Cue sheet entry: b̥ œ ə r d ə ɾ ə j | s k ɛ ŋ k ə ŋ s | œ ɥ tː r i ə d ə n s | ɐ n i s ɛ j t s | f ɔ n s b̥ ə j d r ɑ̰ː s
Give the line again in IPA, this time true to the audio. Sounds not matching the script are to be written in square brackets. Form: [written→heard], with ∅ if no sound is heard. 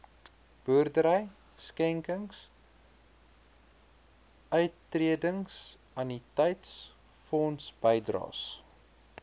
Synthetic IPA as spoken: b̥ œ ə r d ə ɾ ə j | s k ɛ ŋ k ə ŋ s | œ ɥ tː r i ə d ə [n→ŋ] s | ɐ n i [s→t] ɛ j t s | f ɔ n s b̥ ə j d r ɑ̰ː s